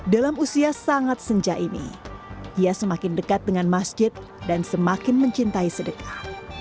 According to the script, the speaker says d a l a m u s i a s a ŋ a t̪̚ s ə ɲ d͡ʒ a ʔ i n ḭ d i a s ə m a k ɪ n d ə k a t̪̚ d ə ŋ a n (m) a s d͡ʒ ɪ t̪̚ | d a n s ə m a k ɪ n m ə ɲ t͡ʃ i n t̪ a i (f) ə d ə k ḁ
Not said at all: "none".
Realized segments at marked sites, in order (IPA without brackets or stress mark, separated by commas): m, s